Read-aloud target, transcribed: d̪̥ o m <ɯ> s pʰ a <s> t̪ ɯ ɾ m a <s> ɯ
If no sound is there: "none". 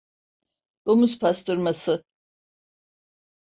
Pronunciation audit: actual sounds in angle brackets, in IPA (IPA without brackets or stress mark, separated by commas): u, s, s